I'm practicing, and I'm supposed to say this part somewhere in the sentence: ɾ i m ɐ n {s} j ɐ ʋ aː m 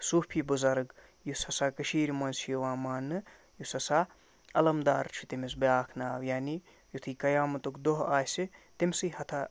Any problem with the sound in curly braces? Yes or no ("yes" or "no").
no